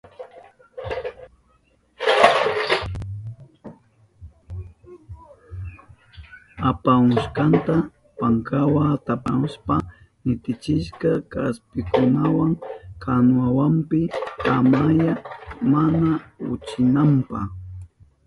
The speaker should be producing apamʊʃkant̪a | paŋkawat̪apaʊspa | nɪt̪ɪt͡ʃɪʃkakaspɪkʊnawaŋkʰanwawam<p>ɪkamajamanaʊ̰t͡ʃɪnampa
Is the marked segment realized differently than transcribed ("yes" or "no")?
no